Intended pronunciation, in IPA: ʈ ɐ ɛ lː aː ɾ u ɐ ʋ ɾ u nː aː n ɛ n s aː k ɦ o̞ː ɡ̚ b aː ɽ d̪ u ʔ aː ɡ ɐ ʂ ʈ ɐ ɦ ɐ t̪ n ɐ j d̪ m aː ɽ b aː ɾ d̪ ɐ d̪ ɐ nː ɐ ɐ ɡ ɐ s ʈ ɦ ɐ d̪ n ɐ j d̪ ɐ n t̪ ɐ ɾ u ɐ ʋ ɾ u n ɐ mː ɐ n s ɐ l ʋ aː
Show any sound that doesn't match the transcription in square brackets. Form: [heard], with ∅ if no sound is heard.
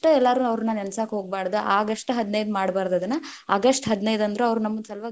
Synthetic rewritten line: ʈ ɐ ɛ lː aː ɾ u ɐ ʋ ɾ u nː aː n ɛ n s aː k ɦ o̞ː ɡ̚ b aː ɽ d̪ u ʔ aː ɡ ɐ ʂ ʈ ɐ ɦ ɐ [d̪] n ɐ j d̪ m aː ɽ b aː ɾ d̪ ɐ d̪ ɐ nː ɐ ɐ ɡ ɐ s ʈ ɦ ɐ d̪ n ɐ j d̪ ɐ n [d̪] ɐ ɾ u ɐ ʋ ɾ u n ɐ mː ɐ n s ɐ l ʋ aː